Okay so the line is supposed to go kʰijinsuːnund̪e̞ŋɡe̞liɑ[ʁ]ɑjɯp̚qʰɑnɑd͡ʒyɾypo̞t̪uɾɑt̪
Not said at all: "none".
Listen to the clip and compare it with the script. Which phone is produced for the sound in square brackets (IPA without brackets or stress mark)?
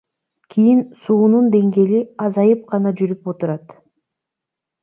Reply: z